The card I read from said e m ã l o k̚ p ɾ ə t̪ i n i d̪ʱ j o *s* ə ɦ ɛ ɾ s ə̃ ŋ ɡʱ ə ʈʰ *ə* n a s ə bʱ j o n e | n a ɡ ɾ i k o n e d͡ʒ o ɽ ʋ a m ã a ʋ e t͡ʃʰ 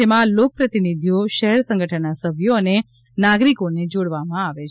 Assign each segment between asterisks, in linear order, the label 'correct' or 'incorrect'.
incorrect: ʃ, correct

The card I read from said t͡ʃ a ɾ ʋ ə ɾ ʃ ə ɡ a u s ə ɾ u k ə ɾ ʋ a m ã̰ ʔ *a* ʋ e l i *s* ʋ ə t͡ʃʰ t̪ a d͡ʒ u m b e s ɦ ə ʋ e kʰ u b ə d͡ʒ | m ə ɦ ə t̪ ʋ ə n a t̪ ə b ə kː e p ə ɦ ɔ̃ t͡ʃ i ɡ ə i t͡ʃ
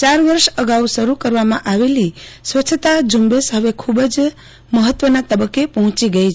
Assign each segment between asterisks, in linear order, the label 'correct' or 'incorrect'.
correct, correct

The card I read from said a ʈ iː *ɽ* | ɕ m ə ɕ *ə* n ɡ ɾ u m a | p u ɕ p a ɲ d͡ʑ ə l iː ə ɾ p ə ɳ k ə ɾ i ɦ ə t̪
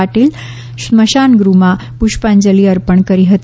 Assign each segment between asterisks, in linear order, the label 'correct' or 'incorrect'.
incorrect: l, incorrect: a

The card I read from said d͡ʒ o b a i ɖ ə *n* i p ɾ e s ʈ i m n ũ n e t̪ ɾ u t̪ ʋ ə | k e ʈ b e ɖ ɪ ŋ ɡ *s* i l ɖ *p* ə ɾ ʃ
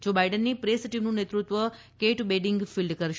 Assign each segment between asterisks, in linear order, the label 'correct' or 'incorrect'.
incorrect: nː, incorrect: f, incorrect: k

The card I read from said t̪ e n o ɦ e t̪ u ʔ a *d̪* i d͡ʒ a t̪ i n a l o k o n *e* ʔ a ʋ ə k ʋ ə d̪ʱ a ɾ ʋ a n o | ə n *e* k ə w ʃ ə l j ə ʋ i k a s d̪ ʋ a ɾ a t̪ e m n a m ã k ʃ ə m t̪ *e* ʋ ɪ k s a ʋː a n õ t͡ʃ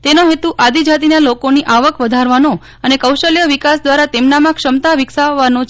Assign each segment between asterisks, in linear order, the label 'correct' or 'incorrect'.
correct, incorrect: i, correct, incorrect: a

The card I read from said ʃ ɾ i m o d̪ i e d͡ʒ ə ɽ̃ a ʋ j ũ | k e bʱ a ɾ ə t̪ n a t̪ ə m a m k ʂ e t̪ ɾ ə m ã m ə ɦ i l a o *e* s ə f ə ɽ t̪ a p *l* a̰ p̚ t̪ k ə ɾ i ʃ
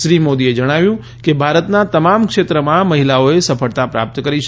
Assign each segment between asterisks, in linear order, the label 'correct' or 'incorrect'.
correct, incorrect: ɾ

